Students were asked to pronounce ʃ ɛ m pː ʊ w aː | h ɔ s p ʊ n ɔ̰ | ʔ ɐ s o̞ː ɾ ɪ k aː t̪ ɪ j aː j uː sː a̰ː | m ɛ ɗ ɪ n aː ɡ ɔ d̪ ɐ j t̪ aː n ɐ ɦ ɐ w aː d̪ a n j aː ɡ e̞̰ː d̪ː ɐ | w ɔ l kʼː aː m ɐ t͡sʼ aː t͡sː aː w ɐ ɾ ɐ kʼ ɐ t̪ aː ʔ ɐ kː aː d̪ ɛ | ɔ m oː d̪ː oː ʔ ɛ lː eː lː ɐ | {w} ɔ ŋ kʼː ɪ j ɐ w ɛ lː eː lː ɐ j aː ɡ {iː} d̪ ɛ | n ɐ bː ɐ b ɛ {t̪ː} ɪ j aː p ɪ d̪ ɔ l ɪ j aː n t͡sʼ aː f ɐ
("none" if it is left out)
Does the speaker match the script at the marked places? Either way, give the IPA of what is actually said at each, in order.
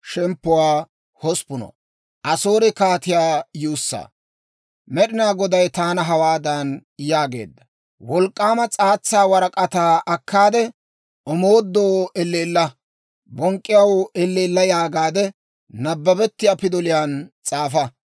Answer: b, aː, t̪ː

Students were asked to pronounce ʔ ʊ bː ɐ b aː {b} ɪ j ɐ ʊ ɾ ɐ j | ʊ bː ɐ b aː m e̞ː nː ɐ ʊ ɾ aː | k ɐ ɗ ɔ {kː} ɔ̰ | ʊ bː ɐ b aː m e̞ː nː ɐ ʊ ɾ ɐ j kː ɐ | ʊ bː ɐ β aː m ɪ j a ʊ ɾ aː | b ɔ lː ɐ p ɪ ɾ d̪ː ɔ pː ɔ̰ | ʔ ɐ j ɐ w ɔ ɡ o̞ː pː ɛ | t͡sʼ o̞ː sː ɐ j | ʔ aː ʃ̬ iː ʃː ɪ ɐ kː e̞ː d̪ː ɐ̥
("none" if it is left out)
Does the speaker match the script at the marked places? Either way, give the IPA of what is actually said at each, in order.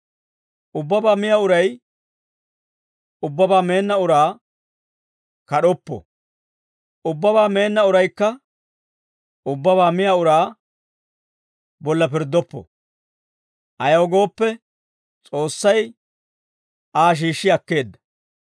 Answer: m, pː

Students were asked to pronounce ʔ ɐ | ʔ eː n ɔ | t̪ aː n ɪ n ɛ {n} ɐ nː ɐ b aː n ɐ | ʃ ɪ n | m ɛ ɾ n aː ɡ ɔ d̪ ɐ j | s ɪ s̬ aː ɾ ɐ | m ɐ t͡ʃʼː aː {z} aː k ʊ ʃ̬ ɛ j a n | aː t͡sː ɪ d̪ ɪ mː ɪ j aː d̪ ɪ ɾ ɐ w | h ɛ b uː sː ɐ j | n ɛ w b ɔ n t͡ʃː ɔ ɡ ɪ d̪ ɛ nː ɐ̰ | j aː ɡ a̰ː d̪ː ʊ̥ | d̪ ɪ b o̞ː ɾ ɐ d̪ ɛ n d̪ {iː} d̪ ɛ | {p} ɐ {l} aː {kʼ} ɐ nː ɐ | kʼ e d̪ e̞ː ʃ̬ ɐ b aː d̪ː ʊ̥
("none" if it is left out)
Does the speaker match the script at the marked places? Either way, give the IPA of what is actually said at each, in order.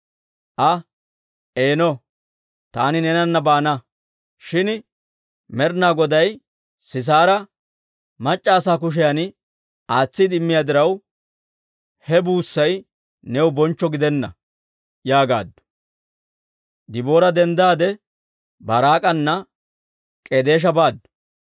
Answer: n, s, aː, b, ɾ, kʼ

